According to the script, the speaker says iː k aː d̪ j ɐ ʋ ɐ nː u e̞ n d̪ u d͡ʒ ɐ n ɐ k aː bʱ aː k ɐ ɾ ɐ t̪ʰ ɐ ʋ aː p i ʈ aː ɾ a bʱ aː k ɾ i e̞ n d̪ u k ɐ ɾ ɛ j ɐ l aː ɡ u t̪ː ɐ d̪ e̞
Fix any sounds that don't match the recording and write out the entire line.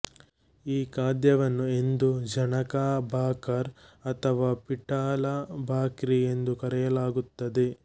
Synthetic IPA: iː k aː d̪ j ɐ ʋ ɐ nː u e̞ n d̪ u d͡ʒ ɐ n ɐ k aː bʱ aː k ɐ ɾ ɐ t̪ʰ ɐ ʋ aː p i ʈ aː l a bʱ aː k ɾ i e̞ n d̪ u k ɐ ɾ ɛ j ɐ l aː ɡ u t̪ː ɐ d̪ e̞

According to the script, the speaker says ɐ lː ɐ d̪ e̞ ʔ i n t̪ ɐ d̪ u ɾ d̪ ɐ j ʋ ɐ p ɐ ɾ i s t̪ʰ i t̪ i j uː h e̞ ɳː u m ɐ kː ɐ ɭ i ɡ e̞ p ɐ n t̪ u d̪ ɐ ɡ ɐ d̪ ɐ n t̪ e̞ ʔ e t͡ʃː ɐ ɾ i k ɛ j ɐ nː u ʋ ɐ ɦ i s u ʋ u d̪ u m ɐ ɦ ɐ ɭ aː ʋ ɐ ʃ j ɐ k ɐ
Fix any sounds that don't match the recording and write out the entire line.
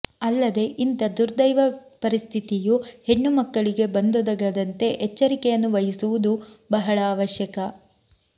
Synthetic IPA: ɐ lː ɐ d̪ e̞ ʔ i n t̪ ɐ d̪ u ɾ d̪ ɐ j ʋ ɐ p ɐ ɾ i s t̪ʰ i t̪ i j u h e̞ ɳː u m ɐ kː ɐ ɭ i ɡ e̞ b ɐ n d̪ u d̪ ɐ ɡ ɐ d̪ ɐ n t̪ e̞ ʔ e t͡ʃː ɐ ɾ i k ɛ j ɐ nː u ʋ ɐ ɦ i s u ʋ u d̪ u b ɐ ɦ ɐ ɭ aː ʋ ɐ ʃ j ɐ k ɐ

